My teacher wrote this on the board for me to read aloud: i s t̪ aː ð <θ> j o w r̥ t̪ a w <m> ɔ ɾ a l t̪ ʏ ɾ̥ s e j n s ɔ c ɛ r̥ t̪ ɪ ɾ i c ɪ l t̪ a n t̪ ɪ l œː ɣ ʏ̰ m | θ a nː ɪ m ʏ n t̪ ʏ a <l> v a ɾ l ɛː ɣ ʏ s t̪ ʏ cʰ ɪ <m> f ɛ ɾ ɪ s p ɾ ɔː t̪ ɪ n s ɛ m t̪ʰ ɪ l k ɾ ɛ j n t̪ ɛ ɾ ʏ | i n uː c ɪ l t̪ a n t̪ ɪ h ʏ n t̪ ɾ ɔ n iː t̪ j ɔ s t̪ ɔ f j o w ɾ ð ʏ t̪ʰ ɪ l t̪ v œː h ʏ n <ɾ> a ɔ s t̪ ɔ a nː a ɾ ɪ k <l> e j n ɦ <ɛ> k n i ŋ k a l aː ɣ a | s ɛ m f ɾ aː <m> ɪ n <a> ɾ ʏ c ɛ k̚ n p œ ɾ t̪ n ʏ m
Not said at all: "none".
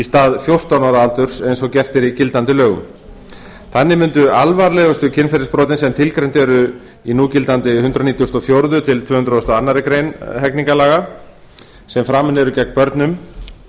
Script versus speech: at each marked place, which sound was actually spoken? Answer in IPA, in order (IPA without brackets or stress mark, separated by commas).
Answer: f, n, l, n, ɾ, ɾ, ɛ, m, ɛ